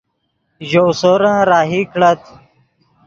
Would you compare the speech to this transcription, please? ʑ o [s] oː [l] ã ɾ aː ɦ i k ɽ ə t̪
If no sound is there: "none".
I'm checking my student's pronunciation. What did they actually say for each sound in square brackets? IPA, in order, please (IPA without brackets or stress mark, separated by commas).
s, ɾ